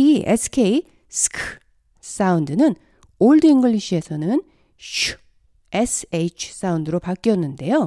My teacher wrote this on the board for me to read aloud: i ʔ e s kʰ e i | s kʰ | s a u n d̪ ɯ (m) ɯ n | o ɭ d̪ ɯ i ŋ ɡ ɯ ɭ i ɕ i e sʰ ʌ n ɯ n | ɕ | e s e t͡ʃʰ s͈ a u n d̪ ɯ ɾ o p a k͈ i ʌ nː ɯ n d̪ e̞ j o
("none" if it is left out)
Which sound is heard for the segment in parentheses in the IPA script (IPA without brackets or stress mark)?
n